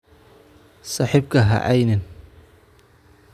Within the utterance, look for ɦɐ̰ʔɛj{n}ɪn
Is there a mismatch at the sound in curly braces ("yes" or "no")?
no